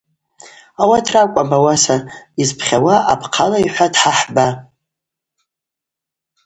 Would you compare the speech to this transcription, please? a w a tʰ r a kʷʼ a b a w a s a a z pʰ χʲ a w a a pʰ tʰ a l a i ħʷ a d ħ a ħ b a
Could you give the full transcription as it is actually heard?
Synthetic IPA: a w a tʰ r a kʷʼ a b a w a s a i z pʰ χʲ a w a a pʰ qʰ a l a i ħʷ a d ħ a ħ b a

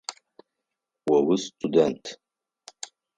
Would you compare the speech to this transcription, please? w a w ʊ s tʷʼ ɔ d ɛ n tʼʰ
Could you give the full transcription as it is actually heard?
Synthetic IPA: w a w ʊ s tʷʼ u d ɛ n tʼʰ

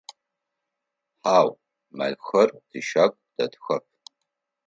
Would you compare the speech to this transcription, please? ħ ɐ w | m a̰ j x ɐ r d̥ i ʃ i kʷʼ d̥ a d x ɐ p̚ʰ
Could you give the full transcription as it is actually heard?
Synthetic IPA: ħ a w | m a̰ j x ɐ r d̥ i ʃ a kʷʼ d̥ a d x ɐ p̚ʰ

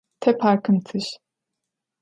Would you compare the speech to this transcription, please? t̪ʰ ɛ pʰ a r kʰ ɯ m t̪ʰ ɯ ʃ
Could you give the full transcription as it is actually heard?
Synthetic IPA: t̪ʰ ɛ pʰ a ɾ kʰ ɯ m t̪ʰ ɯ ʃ

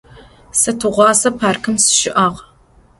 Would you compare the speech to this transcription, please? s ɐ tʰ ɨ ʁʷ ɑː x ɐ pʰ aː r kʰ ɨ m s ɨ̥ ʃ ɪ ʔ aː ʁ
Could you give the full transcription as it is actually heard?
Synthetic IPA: s ɐ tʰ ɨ ʁʷ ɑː s ɐ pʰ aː r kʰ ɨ m s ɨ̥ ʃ ɪ ʔ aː ʁ

